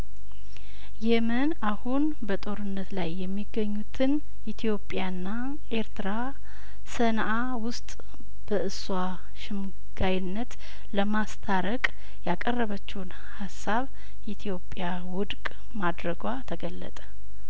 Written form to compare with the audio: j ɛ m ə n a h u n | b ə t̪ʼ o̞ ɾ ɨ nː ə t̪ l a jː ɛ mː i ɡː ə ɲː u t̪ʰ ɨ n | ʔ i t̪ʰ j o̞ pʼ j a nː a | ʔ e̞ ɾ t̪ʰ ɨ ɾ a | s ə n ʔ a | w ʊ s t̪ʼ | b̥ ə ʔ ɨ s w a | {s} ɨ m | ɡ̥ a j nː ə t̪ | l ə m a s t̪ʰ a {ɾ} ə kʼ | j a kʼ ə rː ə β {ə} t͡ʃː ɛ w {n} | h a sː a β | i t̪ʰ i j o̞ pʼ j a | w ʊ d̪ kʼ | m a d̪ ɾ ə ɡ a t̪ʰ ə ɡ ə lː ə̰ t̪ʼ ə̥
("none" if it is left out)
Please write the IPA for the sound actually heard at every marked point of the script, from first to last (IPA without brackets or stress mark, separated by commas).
ʃ, ɾ, ə, n